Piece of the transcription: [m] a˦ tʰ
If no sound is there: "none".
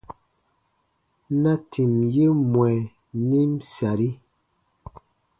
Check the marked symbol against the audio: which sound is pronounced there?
n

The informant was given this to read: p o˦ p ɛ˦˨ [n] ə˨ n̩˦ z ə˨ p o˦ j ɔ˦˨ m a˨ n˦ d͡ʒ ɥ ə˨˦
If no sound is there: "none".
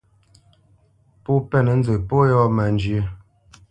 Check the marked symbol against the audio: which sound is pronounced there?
n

